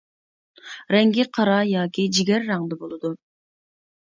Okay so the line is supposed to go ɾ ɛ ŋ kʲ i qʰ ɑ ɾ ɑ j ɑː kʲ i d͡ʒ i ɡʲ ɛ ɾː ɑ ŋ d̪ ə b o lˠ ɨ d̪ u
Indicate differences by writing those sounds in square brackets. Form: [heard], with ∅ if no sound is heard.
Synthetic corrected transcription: ɾ ɛ ŋ [ɡʲ] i qʰ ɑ ɾ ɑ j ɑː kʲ i d͡ʒ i ɡʲ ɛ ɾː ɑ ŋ d̪ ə b o lˠ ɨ d̪ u